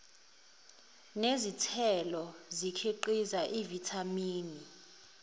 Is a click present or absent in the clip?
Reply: present